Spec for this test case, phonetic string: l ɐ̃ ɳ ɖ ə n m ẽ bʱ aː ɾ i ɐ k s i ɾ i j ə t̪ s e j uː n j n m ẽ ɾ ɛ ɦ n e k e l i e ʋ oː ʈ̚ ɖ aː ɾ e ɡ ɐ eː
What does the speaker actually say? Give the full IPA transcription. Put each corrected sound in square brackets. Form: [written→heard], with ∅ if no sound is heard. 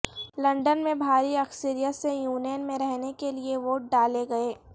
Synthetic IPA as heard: l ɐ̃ ɳ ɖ ə n m ẽ bʱ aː ɾ i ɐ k s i ɾ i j ə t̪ s e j uː n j n m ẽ ɾ ɛ ɦ n e k e l i e ʋ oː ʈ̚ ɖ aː [ɾ→l] e ɡ ɐ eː